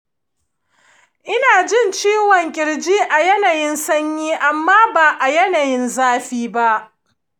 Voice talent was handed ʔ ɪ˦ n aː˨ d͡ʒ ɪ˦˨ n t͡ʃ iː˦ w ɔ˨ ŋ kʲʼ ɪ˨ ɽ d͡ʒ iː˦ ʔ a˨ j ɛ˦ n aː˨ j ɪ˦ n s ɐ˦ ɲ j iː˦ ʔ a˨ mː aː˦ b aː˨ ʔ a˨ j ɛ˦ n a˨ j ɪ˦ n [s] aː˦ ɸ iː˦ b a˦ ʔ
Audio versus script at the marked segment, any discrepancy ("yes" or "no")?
yes